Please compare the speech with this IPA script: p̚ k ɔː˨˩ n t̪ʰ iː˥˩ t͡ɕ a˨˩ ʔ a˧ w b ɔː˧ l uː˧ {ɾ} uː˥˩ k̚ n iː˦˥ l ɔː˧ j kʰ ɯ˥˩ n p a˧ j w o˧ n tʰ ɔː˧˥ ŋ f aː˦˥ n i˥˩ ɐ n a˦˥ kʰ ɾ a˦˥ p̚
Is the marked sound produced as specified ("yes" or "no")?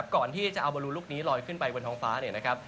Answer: no